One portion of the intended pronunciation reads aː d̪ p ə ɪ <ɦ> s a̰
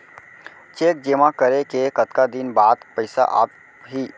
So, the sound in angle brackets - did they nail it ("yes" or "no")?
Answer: no